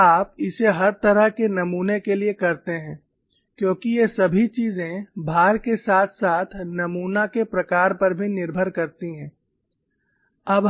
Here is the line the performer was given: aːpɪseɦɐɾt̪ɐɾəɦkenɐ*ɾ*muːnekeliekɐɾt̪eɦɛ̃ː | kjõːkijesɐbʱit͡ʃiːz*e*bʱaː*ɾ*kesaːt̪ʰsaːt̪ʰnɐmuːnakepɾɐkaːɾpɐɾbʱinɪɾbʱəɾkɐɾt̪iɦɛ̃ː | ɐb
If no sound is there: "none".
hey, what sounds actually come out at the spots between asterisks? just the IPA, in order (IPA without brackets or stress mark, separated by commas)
none, ẽ, ɾ